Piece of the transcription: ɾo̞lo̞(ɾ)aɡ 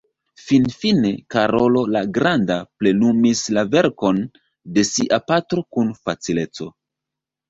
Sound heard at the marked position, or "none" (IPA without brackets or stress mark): l